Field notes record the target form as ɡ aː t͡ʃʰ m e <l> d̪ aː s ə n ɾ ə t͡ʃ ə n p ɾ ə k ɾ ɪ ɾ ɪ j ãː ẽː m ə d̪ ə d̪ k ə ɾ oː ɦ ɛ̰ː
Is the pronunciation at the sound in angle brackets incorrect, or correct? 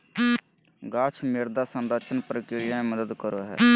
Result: incorrect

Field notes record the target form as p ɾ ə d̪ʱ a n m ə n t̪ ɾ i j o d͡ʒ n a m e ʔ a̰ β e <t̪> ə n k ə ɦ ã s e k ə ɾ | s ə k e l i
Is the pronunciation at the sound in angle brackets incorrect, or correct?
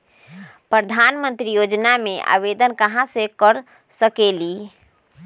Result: incorrect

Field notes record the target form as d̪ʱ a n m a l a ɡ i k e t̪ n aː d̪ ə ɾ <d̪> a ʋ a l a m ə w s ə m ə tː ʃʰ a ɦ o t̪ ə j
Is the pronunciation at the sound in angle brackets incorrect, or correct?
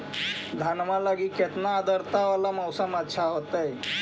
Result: incorrect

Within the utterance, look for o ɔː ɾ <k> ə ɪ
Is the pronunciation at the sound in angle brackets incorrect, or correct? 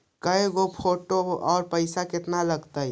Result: incorrect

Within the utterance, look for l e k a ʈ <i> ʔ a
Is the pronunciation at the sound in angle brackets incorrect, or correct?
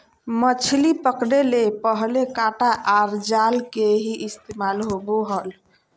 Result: incorrect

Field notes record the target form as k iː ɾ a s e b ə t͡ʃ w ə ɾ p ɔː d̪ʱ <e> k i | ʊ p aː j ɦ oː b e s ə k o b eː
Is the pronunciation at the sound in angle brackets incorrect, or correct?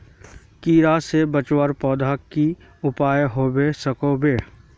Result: incorrect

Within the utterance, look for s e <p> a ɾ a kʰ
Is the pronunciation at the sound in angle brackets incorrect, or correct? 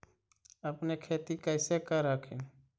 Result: incorrect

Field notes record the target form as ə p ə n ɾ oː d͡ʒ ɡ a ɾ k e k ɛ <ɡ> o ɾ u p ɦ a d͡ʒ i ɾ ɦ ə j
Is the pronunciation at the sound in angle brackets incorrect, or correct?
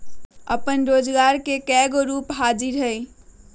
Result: correct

